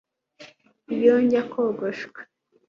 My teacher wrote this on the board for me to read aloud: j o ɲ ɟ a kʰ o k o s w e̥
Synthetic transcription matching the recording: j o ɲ ɟ a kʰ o ɡ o ʃ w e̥